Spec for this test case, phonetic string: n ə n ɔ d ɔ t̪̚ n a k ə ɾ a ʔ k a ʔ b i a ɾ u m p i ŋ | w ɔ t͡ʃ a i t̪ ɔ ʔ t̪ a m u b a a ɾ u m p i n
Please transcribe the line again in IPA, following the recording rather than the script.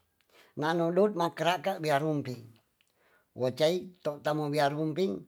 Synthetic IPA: n a n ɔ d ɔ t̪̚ m a k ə ɾ a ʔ k a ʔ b i a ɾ u m p i ŋ | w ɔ t͡ʃ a i t̪ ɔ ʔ t̪ a m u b i a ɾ u m p i ŋ